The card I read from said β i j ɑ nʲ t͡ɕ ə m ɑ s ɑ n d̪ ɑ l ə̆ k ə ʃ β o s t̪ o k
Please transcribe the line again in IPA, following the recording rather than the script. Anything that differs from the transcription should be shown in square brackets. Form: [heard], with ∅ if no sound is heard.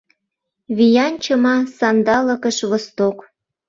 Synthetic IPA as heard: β i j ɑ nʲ t͡ɕ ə m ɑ s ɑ n d̪ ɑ l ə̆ k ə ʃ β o s t̪ o k

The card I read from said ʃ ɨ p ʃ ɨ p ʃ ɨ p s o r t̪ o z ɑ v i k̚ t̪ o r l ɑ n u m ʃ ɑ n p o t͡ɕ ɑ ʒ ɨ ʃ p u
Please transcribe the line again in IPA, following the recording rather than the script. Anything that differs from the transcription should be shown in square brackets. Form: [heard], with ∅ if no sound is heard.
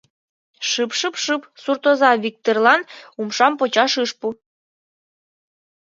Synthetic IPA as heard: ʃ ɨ p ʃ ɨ p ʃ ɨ p s [u] r t̪ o z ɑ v i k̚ t̪ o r l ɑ n u m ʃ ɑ [m] p o t͡ɕ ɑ [ʃ] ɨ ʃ p u

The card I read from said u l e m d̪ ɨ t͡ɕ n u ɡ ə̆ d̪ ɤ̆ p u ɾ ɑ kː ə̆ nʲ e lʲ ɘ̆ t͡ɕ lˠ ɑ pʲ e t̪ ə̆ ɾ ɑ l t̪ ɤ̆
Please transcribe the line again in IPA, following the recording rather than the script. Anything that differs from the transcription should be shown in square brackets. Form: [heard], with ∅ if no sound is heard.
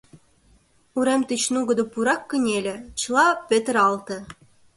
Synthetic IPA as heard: u [ɾ] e m [t̪] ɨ t͡ɕ n u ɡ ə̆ d̪ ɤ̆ p u ɾ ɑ kː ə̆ nʲ e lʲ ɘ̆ t͡ɕ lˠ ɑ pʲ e t̪ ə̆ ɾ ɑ l t̪ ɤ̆

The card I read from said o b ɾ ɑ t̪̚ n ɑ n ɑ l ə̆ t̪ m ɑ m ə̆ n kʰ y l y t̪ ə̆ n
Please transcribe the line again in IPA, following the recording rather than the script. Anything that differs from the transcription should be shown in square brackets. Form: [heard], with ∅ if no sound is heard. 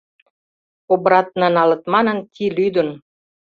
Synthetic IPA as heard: o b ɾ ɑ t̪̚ n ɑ n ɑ l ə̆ t̪ m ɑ [n] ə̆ n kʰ [i] l y [d̪] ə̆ n

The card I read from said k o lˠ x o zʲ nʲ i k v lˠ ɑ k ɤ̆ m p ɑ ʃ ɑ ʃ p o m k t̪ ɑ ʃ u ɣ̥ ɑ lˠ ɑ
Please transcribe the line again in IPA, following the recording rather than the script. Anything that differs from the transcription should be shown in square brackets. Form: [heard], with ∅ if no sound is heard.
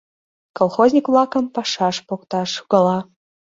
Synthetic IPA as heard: k o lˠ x o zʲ nʲ i k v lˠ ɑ k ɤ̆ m p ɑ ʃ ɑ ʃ p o [∅] k t̪ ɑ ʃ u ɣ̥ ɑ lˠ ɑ

